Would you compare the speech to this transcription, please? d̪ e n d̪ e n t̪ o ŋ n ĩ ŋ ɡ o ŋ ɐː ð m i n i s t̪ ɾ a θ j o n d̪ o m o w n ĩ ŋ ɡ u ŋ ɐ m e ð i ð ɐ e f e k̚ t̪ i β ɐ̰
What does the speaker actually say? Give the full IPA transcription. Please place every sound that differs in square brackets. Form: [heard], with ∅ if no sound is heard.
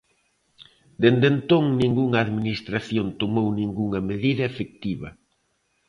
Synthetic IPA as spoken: d̪ e n d̪ e n t̪ o ŋ n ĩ ŋ ɡ [u] ŋ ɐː ð m i n i s t̪ ɾ a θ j o n [t̪] o m o w n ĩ ŋ ɡ u ŋ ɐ m e ð i ð ɐ e f e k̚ t̪ i β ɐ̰